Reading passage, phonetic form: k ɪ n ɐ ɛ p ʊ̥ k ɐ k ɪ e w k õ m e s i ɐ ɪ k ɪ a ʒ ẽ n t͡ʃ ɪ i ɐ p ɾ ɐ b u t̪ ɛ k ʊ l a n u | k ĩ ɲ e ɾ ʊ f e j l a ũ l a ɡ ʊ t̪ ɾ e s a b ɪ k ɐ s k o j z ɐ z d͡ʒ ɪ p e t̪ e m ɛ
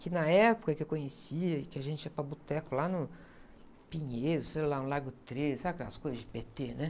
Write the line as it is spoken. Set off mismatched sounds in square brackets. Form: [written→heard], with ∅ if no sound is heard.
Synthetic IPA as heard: k ɪ n ɐ ɛ p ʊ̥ k ɐ k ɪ e w k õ [m→ɲ] e s i ɐ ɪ k ɪ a ʒ ẽ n t͡ʃ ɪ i ɐ p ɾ ɐ b u t̪ ɛ k ʊ l a n [u→ʊ] | [k→p] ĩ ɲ e ɾ ʊ [f→s] e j l a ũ l a ɡ ʊ t̪ ɾ e s a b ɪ k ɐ s k o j z ɐ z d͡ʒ ɪ p e t̪ e [m→n] ɛ